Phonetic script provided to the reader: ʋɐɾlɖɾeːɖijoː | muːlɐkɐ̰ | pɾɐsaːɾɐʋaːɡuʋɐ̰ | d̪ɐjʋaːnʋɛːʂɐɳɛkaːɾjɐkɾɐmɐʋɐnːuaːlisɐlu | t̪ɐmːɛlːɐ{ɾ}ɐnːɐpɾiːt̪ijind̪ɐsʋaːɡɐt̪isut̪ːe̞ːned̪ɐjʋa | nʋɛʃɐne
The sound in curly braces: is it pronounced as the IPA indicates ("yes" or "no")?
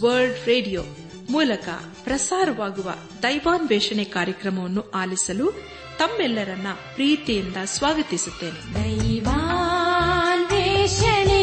yes